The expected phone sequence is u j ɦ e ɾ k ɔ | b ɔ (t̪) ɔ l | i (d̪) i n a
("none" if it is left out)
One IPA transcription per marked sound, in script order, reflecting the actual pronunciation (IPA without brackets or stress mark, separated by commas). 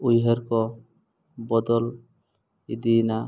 d̪, d̪